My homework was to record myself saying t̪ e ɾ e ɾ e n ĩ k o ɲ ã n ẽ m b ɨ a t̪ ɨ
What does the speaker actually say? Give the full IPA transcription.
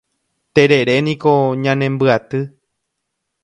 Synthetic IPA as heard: t̪ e ɾ e ɾ e n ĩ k o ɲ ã n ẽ m b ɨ a t̪ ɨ